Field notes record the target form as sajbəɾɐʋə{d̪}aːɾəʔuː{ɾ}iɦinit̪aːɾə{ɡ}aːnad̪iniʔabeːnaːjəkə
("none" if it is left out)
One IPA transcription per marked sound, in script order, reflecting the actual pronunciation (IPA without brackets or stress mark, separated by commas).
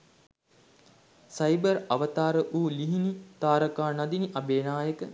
t̪, l, k